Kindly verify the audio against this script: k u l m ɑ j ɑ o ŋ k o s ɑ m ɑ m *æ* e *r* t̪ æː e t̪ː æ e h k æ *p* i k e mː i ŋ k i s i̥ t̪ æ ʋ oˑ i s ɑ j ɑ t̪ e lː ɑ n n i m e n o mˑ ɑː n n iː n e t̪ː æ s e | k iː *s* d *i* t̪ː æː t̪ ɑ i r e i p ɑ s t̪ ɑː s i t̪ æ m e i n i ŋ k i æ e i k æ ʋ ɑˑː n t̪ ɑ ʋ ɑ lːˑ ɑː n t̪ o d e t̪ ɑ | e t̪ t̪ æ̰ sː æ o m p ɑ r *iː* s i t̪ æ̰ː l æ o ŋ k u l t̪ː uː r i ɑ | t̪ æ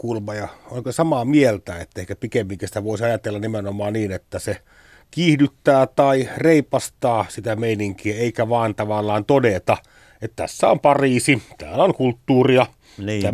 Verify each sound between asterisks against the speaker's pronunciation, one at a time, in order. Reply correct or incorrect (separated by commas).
incorrect, incorrect, correct, incorrect, incorrect, correct